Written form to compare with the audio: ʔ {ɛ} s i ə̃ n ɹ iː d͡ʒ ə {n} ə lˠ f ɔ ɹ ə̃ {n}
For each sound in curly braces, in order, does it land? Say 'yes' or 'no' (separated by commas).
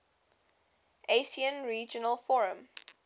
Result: no, yes, no